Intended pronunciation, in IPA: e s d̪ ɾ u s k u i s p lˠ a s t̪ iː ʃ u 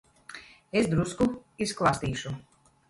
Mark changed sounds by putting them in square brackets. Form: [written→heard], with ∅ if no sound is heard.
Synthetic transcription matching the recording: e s d̪ ɾ u s k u i s [p→k] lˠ a s t̪ iː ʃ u